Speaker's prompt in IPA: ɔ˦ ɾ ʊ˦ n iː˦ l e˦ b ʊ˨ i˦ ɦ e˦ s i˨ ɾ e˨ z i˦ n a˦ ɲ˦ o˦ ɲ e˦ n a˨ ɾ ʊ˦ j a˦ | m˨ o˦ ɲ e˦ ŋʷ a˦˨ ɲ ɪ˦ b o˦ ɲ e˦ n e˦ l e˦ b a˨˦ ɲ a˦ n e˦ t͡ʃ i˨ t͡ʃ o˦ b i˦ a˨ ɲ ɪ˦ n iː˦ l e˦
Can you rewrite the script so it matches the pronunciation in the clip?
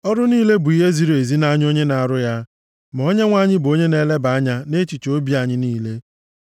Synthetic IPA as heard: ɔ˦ ɾ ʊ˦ n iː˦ l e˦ b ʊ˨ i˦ ɦ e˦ z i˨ ɾ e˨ z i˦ n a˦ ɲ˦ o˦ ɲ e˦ n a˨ ɾ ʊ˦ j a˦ | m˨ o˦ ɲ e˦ ŋʷ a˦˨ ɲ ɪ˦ b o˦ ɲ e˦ n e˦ l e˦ b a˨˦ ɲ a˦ n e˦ t͡ʃ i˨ t͡ʃ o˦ b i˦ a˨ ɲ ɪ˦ n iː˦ l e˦

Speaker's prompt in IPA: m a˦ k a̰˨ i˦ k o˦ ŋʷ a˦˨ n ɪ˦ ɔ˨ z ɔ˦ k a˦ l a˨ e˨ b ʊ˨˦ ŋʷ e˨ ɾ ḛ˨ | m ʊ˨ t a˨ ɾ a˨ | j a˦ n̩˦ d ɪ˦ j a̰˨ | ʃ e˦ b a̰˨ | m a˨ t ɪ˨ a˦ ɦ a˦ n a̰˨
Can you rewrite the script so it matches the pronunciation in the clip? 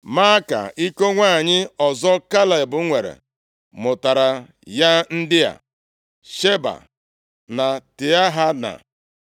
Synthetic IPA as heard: m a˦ k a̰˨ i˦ k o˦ ŋʷ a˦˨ ɲ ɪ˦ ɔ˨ z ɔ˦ k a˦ l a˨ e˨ b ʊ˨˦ ŋʷ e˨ ɾ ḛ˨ | m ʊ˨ t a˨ ɾ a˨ | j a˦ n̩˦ d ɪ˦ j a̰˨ | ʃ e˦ b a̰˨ | n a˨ t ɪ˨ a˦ ɦ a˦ n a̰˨

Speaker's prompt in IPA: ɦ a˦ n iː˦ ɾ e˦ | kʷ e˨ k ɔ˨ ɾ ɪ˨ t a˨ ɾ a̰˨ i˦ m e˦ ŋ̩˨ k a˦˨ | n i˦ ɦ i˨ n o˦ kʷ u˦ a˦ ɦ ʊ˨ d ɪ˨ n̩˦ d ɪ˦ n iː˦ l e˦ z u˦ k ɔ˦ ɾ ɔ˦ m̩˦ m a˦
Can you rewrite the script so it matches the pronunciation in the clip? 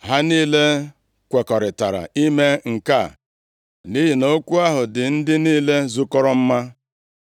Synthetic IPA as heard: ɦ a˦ n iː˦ l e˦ | kʷ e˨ k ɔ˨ ɾ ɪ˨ t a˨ ɾ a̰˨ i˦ m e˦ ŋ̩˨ k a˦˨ | n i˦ ɦ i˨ n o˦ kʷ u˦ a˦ ɦ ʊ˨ d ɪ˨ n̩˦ d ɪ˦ n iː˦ l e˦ z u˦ k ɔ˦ ɾ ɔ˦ m̩˦ m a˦

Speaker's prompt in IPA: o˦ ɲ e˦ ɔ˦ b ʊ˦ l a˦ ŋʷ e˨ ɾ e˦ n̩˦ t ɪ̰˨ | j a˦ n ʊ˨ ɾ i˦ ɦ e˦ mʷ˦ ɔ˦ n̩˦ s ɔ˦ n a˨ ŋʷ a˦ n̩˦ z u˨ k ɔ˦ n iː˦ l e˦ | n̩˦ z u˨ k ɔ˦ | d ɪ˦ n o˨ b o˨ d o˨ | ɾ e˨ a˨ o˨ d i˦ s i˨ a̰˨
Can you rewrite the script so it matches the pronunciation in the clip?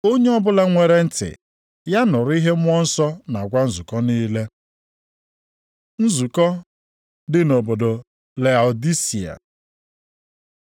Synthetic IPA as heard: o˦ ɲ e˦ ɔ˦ b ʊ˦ l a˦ ŋʷ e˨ ɾ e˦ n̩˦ t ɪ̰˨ | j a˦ n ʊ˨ ɾ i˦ ɦ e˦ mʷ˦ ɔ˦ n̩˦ s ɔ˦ n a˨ ɡʷ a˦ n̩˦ z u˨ k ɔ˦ n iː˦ l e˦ | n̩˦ z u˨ k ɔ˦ | d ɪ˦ n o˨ b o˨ d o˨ | l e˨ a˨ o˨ d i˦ s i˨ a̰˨

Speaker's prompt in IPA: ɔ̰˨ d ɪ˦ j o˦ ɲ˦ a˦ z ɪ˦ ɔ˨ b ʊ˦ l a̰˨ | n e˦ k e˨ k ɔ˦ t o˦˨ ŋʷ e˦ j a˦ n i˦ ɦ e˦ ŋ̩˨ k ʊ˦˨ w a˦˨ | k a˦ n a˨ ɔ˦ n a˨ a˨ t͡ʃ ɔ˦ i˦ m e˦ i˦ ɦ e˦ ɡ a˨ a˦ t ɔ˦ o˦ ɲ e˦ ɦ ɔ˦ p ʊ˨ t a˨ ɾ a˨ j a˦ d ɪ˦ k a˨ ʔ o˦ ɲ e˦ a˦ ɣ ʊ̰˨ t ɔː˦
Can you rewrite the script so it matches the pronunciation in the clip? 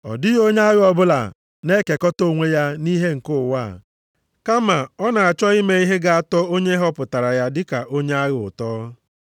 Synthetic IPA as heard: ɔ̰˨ d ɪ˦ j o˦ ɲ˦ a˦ ɣ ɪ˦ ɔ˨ b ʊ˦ l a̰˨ | n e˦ k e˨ k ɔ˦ t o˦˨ ŋʷ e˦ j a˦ n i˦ ɦ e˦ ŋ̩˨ k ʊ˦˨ w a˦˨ | k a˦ m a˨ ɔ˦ n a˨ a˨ t͡ʃ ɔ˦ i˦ m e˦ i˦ ɦ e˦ ɡ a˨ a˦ t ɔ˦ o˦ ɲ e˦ ɦ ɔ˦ p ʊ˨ t a˨ ɾ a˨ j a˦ d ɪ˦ k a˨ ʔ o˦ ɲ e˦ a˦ ɣ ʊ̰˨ t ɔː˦

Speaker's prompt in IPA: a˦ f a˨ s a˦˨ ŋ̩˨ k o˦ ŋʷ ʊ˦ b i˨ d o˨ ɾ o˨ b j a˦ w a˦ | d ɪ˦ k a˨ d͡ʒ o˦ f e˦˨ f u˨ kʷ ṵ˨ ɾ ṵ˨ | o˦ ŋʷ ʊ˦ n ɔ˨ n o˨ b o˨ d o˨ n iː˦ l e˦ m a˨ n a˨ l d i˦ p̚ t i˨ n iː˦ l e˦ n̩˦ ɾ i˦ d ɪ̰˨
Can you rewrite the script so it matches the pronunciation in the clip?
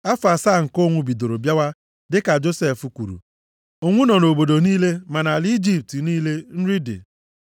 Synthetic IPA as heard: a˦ f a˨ s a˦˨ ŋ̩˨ k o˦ ŋʷ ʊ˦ b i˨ d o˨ ɾ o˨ b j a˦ w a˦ | d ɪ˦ k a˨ d͡ʒ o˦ s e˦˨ f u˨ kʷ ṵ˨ ɾ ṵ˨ | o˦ ŋʷ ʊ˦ n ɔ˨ n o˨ b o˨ d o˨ n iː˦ l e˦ m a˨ n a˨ l d͡ʒ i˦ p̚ t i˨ n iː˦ l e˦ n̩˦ ɾ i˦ d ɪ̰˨

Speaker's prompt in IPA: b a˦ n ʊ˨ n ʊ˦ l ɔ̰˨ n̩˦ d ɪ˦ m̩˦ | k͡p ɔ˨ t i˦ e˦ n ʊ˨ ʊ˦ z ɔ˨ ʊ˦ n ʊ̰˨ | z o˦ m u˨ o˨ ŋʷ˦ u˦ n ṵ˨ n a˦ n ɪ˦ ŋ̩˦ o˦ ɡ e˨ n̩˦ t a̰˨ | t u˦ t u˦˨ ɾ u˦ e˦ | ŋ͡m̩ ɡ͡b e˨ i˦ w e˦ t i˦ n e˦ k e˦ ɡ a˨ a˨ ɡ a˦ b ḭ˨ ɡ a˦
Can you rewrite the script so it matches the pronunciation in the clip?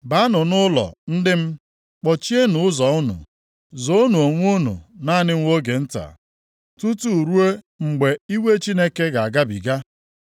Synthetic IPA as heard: b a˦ n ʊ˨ n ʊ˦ l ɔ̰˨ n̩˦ d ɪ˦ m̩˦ | k͡p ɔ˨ t͡ʃ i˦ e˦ n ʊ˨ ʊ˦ z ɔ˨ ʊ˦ n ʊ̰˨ | z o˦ n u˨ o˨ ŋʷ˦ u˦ n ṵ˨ n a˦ n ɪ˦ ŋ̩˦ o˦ ɡ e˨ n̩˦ t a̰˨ | t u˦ t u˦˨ ɾ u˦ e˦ | ŋ͡m̩ ɡ͡b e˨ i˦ w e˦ t͡ʃ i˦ n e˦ k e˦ ɡ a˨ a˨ ɡ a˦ b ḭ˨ ɡ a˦

